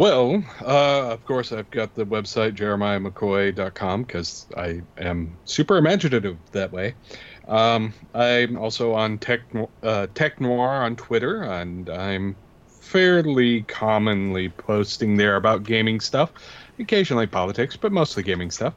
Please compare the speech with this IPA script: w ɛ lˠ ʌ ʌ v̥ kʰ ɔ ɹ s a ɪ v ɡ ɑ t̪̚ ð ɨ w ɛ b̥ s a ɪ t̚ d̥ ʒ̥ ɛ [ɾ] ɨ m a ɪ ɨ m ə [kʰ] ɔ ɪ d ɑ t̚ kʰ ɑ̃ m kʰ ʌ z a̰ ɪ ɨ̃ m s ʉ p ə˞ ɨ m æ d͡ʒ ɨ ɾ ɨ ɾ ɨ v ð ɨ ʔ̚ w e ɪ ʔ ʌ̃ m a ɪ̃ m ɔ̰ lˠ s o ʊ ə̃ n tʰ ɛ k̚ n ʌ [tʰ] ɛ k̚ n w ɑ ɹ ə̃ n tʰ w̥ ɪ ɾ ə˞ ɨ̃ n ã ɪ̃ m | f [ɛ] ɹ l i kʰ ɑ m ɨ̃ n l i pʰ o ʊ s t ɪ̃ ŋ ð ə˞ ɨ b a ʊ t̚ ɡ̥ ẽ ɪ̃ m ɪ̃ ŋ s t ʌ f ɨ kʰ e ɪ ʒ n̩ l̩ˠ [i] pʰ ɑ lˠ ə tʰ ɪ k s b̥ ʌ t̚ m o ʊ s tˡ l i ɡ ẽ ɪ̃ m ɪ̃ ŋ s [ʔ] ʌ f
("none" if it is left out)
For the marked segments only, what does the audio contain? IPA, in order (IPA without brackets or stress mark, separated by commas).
ɹ, kʰ, tʰ, ɛ, i, t